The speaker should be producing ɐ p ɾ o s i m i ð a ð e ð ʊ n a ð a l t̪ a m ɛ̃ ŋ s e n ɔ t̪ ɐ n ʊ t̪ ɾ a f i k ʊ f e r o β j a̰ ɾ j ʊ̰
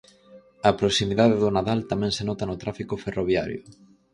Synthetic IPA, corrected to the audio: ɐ p ɾ o s i m i ð a ð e ð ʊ n a ð a l t̪ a m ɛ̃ ŋ s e n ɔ t̪ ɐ n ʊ t̪ ɾ a f i k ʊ f e r o β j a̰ ɾ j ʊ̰